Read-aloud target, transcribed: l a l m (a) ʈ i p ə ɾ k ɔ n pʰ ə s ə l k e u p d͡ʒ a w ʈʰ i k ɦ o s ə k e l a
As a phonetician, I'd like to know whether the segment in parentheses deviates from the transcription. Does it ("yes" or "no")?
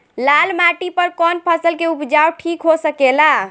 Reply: no